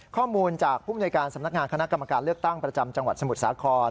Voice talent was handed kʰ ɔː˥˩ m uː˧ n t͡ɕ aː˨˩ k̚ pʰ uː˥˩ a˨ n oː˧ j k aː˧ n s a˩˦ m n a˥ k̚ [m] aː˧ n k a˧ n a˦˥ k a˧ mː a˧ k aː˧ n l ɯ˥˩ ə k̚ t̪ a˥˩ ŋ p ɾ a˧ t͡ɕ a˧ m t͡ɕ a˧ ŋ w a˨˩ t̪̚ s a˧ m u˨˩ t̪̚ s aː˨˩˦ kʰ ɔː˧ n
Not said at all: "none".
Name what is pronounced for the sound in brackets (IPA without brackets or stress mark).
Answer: ŋ